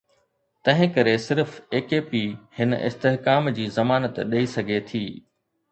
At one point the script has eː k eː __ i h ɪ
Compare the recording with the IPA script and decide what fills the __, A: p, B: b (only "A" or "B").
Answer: A